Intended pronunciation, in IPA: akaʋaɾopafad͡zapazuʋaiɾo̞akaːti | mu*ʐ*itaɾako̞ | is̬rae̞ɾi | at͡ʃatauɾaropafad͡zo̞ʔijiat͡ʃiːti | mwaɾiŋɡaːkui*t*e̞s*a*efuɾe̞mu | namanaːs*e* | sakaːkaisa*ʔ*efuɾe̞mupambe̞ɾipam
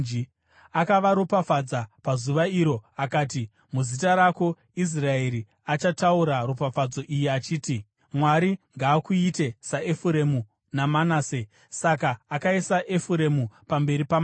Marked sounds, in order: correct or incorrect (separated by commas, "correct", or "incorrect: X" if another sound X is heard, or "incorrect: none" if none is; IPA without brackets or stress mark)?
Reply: incorrect: z, correct, correct, correct, correct